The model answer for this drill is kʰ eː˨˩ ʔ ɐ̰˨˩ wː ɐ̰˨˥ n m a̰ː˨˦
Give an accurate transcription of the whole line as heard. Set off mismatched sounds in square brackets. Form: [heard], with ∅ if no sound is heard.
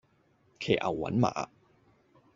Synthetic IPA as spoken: kʰ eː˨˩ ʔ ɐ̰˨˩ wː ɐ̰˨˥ n m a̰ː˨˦